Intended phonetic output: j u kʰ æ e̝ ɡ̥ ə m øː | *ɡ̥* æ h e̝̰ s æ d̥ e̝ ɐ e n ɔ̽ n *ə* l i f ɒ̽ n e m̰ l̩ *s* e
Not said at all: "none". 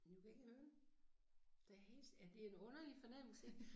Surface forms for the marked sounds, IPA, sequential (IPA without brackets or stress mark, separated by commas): d̥, ɐ, s